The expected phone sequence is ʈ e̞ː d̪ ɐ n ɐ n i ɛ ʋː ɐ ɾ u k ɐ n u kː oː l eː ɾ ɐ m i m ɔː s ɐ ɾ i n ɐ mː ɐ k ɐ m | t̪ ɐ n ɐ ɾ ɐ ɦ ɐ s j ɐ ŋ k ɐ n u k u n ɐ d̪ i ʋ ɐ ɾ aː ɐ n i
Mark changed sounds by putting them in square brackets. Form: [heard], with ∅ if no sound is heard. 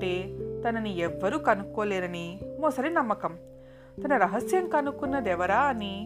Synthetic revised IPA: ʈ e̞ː [t̪] ɐ n ɐ n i ɛ ʋː ɐ ɾ u k ɐ n u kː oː l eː ɾ ɐ [n] i m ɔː s ɐ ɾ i n ɐ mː ɐ k ɐ m | t̪ ɐ n ɐ ɾ ɐ ɦ ɐ s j ɐ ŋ k ɐ n u k u [nː] ɐ d̪ [ɛ] ʋ ɐ ɾ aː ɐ n i